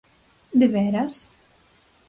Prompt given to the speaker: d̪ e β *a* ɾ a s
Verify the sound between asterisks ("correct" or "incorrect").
incorrect